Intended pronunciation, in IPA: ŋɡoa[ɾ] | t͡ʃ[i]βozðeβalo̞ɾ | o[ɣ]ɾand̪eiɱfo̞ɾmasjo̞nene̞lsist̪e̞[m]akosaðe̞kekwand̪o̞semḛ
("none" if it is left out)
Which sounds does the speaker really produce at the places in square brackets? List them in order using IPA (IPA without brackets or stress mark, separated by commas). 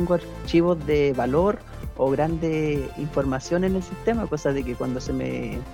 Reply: ɾ, i, ɣ, m